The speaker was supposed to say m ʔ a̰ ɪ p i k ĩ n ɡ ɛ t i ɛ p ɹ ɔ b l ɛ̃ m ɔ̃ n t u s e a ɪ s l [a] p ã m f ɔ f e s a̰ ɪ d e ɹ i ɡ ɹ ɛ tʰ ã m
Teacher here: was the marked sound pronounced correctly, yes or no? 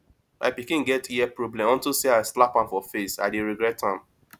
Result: yes